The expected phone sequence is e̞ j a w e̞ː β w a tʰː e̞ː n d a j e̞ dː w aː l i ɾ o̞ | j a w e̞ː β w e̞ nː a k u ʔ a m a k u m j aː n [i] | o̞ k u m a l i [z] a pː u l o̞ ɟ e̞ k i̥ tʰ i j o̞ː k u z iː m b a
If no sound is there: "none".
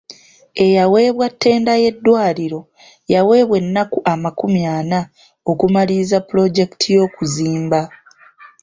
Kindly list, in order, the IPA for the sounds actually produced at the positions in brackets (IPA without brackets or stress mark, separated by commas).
a, z